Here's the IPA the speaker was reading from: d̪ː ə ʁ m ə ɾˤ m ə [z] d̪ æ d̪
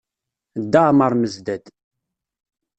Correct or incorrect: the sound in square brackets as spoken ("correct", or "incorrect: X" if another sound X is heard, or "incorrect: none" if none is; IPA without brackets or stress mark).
correct